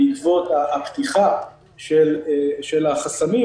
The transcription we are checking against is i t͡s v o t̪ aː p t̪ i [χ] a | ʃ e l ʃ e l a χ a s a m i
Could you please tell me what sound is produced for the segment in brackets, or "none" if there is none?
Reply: χ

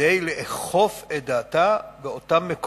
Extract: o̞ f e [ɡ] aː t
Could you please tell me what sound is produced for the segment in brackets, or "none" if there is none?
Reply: d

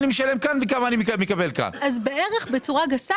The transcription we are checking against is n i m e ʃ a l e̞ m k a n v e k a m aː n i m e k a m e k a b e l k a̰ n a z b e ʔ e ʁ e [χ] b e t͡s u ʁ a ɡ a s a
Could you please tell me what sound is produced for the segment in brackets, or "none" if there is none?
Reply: χ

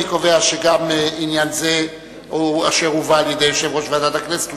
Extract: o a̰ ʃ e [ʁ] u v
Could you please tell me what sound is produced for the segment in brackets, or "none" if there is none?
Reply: ʁ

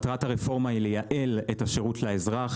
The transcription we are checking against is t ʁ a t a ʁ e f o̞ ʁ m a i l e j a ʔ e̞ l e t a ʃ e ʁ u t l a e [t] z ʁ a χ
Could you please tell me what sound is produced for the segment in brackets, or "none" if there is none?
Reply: none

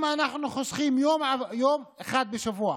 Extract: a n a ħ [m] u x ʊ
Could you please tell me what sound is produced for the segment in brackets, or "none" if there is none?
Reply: n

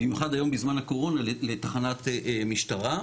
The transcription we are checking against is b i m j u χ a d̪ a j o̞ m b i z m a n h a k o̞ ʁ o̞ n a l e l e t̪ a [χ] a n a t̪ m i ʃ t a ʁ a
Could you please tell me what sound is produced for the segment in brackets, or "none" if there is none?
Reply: χ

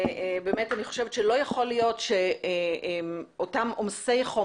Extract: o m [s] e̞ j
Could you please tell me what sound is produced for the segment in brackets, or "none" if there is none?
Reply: s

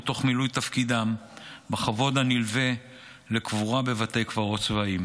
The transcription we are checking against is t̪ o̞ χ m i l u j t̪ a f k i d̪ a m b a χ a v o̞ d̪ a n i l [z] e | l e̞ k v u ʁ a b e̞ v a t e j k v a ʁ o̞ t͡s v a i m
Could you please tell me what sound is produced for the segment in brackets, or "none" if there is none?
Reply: v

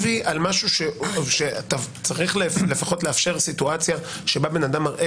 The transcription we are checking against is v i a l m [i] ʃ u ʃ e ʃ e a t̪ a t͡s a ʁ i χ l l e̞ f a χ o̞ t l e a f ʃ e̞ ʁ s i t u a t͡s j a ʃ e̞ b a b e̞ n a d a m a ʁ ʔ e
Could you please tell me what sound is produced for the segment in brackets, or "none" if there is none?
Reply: a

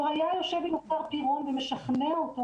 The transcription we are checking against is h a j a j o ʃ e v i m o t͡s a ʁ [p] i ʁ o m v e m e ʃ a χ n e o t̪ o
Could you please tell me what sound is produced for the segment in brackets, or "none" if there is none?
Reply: p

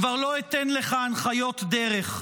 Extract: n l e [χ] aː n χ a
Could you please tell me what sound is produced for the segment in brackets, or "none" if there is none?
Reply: χ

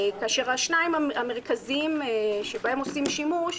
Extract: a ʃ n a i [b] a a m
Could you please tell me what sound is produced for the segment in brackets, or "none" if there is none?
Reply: m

